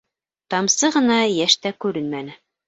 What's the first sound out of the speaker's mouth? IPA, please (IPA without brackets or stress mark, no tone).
t̪